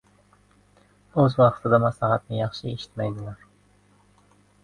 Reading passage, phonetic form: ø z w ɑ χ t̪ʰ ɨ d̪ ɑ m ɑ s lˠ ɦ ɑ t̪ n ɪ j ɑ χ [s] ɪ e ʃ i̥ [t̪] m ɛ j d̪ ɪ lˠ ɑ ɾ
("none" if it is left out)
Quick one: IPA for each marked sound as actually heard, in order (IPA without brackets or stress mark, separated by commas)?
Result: ʃ, t̪